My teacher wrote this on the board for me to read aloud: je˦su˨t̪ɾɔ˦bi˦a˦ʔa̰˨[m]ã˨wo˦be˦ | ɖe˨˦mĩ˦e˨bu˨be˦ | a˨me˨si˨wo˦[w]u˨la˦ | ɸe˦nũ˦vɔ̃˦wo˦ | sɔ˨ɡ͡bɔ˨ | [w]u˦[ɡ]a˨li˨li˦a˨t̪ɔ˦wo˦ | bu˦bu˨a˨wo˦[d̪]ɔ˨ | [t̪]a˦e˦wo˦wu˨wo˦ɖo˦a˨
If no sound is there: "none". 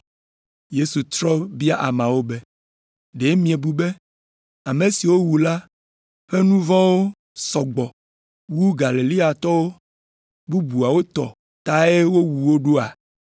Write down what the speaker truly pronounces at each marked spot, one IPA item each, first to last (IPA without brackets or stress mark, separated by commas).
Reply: m, w, w, ɡ, t̪, t̪